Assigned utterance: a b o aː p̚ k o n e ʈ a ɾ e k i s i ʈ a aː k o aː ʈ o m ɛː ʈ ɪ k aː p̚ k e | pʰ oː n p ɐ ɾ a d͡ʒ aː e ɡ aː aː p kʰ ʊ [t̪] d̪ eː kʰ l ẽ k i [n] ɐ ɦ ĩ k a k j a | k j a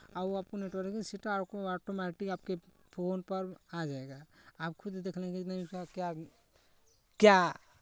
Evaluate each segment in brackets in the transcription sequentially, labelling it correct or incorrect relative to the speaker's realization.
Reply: incorrect: d̪, correct

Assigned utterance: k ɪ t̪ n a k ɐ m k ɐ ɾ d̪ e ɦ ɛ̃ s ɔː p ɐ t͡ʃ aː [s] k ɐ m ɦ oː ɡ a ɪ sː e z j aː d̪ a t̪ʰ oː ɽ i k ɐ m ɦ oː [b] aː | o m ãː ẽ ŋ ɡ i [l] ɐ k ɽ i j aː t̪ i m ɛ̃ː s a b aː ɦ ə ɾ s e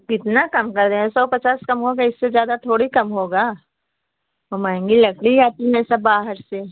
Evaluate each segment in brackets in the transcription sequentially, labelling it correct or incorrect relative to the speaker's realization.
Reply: correct, incorrect: ɡ, correct

